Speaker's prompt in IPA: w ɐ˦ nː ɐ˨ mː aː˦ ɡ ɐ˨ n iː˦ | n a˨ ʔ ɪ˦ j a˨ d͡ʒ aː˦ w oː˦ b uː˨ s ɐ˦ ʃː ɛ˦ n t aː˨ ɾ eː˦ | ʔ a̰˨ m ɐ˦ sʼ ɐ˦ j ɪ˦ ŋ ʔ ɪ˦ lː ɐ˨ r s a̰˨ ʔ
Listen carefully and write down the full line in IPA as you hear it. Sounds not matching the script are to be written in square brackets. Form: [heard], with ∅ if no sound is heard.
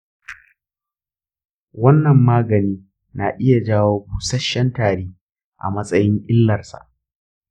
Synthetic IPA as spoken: w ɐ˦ nː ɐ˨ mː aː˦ ɡ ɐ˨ n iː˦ | n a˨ ʔ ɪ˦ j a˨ d͡ʒ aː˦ w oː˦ b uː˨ s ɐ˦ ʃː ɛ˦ n t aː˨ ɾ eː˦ | ʔ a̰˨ m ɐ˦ sʼ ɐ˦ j ɪ˦ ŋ ʔ ɪ˦ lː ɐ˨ r s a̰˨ ʔ

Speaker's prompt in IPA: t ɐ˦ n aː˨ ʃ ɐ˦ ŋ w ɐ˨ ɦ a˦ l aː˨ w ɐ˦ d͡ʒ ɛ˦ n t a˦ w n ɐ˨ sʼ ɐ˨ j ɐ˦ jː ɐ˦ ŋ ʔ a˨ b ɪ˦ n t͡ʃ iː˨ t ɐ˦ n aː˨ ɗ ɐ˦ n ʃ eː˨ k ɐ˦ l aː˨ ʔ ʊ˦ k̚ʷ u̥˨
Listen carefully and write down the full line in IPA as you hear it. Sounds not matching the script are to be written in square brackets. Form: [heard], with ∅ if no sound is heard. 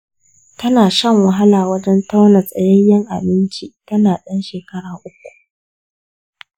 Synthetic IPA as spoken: t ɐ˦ n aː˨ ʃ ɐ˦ ŋ w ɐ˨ ɦ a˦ l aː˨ w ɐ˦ d͡ʒ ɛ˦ n t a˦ w n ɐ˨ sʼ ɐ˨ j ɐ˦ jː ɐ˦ ŋ ʔ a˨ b ɪ˦ n t͡ʃ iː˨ t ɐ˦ n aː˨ ɗ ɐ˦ n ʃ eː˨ k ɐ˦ [ɽ] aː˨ ʔ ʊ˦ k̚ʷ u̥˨

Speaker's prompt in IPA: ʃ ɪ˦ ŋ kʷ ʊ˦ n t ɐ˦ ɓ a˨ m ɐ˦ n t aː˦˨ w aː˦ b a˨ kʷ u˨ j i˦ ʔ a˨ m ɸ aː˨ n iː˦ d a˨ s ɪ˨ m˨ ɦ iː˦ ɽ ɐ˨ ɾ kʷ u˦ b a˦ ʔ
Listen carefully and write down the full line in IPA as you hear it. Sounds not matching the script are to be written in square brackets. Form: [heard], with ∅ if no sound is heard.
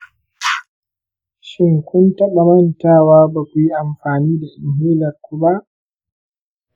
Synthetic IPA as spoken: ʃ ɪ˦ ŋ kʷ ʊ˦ n t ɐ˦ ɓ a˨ m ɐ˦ n t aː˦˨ w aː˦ b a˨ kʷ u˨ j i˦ ʔ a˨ m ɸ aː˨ n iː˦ d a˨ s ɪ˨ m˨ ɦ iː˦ [l] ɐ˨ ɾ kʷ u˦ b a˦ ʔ

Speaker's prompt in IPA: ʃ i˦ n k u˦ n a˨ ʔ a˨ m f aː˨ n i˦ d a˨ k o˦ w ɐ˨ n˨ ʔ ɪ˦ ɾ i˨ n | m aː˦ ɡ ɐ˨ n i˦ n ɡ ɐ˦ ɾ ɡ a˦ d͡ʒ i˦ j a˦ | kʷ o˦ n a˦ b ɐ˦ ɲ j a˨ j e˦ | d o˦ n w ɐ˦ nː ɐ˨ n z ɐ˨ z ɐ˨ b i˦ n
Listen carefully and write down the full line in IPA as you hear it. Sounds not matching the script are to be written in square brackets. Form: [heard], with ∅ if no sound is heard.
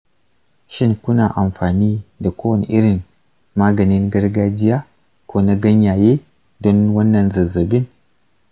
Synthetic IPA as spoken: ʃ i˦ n k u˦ n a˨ ʔ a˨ m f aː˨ n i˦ d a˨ k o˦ w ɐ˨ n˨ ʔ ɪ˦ ɾ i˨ n | m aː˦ ɡ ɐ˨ n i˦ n ɡ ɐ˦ ɾ ɡ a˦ d͡ʒ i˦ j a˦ | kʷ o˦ n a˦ [ɡ] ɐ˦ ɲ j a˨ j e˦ | d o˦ n w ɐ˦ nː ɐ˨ n z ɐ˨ z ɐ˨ b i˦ n

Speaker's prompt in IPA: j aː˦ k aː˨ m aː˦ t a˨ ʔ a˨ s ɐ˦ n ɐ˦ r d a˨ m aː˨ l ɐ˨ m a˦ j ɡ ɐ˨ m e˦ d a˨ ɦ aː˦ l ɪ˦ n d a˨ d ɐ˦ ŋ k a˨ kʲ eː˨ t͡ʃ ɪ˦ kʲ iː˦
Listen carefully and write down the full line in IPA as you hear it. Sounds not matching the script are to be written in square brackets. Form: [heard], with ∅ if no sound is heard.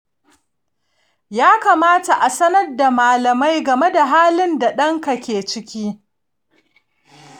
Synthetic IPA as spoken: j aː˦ k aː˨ m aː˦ t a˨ ʔ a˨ s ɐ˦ n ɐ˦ r d a˨ m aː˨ l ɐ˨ m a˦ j ɡ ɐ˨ m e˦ d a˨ ɦ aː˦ l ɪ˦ n d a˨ [ɗ] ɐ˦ ŋ k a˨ kʲ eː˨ t͡ʃ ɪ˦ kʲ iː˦

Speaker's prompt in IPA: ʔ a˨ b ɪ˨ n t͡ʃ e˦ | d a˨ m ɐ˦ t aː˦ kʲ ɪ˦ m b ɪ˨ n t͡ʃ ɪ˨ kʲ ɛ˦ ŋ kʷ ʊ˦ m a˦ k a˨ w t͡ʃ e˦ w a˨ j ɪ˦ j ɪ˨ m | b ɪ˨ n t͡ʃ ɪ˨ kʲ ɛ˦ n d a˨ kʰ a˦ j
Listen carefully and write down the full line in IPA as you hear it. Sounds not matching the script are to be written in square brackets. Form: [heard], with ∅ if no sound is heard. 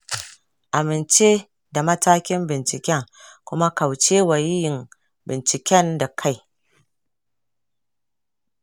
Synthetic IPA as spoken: ʔ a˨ [m] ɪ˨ n t͡ʃ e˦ | d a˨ m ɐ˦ t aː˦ kʲ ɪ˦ m b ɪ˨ n t͡ʃ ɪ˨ kʲ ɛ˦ ŋ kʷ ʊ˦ m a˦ k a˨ w t͡ʃ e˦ w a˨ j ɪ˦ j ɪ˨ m | b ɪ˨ n t͡ʃ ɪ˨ kʲ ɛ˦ n d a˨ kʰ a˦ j

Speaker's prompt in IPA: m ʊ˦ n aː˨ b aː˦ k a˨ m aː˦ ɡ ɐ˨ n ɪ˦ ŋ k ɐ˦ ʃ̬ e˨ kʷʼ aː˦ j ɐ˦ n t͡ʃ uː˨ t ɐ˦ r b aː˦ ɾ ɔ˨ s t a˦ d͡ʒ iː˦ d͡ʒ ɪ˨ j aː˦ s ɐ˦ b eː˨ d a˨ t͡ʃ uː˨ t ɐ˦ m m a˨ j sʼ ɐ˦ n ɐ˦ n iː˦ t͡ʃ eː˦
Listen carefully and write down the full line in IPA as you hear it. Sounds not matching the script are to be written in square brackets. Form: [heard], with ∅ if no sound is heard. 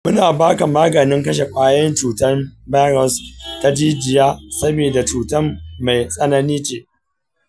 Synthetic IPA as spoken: m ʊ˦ n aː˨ b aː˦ k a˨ m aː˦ ɡ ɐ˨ n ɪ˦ ŋ k ɐ˦ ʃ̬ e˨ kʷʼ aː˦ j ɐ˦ n t͡ʃ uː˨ t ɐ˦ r b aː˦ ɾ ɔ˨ s t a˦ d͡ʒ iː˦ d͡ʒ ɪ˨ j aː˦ s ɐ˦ b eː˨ d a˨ t͡ʃ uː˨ t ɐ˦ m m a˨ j sʼ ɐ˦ n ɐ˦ n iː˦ t͡ʃ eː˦

